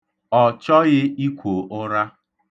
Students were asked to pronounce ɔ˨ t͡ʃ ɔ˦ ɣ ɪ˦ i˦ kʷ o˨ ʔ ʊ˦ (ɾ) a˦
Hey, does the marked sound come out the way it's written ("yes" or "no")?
yes